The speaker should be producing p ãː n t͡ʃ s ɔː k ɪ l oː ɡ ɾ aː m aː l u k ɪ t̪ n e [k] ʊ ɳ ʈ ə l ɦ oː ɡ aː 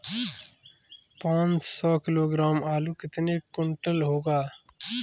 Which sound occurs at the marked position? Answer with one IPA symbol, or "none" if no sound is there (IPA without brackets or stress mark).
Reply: k